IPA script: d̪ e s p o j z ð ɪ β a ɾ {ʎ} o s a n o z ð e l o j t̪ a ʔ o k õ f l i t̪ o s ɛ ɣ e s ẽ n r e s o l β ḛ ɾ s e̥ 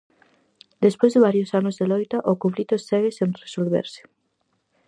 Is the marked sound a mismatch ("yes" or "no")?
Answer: yes